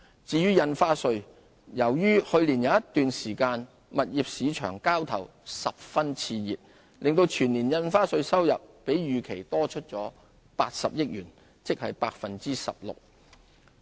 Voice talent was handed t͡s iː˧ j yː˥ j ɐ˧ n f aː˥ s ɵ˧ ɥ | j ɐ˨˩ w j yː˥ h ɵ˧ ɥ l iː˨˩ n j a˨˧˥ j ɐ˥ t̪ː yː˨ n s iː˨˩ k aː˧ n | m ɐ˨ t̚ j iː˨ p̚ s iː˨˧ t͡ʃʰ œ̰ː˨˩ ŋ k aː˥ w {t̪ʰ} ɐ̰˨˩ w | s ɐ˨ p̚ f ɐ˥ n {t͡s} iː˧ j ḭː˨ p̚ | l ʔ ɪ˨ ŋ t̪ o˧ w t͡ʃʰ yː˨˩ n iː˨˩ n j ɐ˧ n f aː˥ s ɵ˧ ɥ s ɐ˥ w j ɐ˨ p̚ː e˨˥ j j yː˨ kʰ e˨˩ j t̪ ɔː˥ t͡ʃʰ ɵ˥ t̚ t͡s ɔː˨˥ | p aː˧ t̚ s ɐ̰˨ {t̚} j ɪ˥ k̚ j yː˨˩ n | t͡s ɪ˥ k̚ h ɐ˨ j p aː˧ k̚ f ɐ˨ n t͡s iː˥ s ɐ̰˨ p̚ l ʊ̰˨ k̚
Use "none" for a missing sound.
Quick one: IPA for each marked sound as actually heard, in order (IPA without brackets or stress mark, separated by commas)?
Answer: t̪ʰ, t͡sʰ, p̚